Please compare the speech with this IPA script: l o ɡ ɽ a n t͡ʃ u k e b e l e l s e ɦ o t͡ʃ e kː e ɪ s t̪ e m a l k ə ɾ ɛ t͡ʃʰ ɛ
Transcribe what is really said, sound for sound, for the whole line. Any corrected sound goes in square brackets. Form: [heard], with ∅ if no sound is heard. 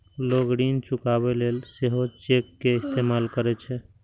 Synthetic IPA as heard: l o ɡ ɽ [i] n t͡ʃ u k [a] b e l e l s e ɦ o t͡ʃ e kː e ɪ s t̪ e m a l k ə ɾ ɛ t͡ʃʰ ɛ